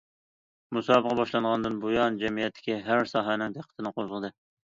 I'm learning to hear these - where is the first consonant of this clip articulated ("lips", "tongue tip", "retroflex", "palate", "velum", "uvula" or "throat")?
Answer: lips